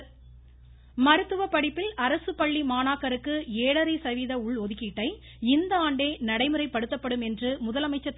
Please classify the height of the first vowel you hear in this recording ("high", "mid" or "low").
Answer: low